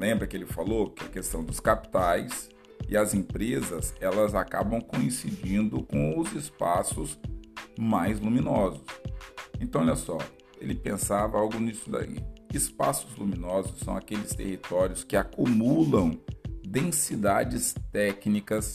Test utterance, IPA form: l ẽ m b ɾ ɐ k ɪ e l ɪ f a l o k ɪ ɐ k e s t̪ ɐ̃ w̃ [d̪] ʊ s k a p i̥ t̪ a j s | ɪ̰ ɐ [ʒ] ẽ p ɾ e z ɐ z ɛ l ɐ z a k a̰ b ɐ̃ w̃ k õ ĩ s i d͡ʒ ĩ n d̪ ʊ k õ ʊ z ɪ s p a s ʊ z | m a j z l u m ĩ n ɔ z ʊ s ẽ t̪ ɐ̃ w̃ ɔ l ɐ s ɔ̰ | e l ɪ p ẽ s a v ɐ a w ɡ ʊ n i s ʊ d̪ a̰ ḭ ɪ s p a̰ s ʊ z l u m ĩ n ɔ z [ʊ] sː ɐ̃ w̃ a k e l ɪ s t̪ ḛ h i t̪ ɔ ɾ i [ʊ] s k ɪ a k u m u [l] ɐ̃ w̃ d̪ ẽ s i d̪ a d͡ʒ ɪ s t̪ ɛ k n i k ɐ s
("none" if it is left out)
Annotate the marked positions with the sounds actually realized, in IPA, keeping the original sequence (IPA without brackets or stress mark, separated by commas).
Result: d̪, z, ʊ, ʊ, l